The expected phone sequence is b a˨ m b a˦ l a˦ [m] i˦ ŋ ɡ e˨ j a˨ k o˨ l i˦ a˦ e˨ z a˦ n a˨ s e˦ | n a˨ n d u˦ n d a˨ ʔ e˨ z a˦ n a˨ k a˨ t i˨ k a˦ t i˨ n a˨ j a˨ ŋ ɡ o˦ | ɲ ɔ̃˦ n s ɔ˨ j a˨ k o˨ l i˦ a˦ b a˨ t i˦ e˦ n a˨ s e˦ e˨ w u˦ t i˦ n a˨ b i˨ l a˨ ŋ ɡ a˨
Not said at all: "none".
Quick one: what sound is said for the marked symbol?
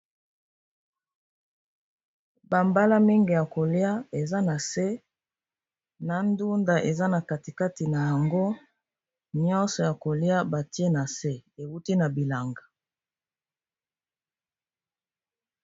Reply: m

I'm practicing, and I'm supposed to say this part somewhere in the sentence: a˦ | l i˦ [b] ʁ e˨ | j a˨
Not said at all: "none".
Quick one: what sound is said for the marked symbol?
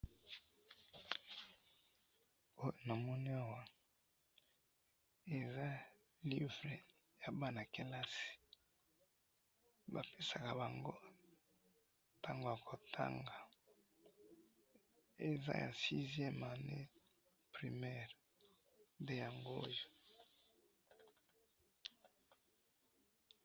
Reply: v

